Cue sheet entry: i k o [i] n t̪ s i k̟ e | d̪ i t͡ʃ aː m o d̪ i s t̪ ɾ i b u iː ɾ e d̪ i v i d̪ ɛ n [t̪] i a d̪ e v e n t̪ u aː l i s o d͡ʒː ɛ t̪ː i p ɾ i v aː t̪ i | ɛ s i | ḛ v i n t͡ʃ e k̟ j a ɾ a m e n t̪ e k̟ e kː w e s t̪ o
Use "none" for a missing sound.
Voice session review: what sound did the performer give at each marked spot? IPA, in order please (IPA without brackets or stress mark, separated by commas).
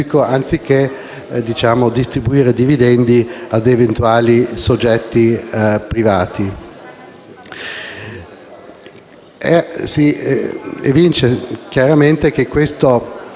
a, d̪